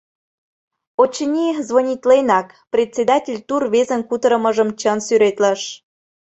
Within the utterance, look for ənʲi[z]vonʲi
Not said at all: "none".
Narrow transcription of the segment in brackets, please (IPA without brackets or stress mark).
z